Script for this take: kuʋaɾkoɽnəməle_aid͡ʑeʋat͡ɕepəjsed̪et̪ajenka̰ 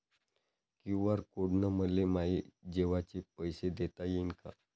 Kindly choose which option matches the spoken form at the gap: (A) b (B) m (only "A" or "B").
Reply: B